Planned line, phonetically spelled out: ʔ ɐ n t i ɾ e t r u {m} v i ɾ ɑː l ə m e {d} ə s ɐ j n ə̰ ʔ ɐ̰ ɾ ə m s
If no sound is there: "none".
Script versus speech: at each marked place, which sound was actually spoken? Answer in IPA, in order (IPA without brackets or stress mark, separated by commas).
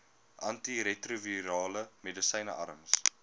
none, d